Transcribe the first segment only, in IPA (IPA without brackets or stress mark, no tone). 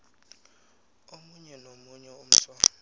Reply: o